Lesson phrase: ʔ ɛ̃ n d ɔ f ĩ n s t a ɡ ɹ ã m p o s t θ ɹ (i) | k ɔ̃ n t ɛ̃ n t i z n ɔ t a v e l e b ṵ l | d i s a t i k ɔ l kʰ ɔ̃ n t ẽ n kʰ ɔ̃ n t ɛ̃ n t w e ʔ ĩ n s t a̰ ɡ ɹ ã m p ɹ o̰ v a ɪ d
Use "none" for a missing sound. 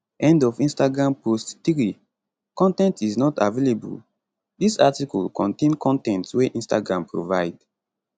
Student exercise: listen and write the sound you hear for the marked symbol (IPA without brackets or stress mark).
i